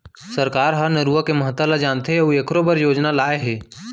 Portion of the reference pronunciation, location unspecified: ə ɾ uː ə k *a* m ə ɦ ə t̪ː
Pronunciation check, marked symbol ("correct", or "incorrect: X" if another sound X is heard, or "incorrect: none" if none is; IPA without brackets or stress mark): incorrect: e